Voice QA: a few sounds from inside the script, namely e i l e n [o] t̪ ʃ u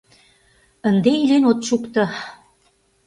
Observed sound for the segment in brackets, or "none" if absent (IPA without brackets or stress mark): o